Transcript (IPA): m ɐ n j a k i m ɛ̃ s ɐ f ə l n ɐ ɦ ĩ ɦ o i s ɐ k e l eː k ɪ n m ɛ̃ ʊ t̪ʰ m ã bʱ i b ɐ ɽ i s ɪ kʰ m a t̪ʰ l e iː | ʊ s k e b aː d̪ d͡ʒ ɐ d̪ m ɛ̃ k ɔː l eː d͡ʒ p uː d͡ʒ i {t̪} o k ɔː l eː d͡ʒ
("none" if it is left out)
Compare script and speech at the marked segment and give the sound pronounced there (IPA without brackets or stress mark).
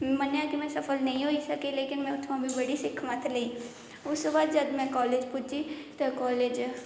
t̪